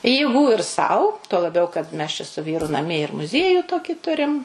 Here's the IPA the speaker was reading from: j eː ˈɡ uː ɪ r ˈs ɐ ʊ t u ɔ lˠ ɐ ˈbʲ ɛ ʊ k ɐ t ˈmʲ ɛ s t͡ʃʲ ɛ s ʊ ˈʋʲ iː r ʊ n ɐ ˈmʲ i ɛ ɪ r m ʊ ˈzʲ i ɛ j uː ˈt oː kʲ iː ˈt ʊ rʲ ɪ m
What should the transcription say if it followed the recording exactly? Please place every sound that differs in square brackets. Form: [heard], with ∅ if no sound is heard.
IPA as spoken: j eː ˈɡ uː ɪ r ˈs ɐ ʊ t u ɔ lˠ ɐ ˈbʲ ɛ ʊ k ɐ t ˈmʲ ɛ s t͡ʃʲ ɛ s ʊ ˈʋʲ iː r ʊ n ɐ ˈmʲ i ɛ ɪ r m ʊ ˈzʲ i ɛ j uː ˈt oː kʲ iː ˈt ʊ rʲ ɪ m